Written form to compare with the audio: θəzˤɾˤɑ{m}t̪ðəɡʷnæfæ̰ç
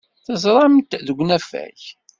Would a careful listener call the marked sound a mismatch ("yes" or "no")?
no